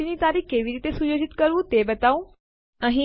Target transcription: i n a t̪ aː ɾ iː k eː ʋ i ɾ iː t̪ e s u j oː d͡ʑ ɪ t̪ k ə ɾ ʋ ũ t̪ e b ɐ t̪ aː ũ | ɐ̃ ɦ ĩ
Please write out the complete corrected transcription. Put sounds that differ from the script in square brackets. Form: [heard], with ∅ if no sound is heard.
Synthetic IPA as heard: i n [i] t̪ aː ɾ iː k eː ʋ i ɾ iː t̪ e s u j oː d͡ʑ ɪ t̪ k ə ɾ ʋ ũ t̪ e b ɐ t̪ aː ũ | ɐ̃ ɦ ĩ